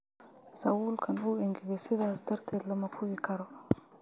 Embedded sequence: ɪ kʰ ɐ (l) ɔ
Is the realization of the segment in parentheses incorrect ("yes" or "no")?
yes